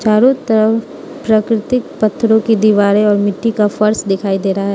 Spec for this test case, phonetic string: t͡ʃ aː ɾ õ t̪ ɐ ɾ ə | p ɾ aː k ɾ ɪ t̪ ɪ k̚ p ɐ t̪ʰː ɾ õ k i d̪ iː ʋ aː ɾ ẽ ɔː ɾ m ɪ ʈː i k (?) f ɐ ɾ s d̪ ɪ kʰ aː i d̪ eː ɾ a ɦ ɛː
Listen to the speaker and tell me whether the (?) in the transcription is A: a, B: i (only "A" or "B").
A